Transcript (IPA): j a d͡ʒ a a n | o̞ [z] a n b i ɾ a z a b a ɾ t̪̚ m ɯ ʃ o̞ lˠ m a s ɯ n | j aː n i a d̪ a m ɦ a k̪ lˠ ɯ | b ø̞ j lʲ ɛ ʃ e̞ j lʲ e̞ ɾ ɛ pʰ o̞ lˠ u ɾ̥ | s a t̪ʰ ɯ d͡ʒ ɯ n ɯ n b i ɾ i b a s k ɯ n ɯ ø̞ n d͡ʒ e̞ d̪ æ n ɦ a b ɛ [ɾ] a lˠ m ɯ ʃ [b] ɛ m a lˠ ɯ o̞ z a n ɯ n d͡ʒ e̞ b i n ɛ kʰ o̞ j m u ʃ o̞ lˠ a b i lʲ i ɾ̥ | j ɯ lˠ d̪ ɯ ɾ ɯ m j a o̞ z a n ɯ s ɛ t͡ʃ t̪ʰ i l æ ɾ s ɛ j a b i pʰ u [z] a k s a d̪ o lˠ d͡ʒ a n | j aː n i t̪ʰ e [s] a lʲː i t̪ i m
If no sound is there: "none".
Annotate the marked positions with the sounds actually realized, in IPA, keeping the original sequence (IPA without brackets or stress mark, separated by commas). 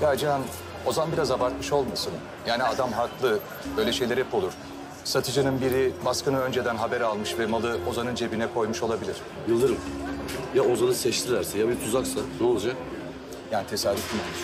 z, ɾ, v, z, s